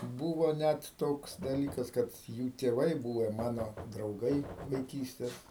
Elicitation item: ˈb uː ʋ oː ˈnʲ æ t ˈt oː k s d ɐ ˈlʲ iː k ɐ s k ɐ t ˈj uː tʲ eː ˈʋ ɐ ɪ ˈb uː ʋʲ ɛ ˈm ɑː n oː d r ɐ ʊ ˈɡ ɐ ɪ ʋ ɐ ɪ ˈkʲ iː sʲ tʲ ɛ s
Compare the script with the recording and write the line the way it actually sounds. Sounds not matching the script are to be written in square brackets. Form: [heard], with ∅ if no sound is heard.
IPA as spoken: ˈb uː ʋ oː ˈnʲ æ t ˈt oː k s d ɐ ˈlʲ iː k ɐ s k ɐ t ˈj uː tʲ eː ˈʋ ɐ ɪ ˈb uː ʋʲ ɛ ˈm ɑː n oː d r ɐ ʊ ˈɡ ɐ ɪ ʋ ɐ ɪ ˈkʲ iː sʲ tʲ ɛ s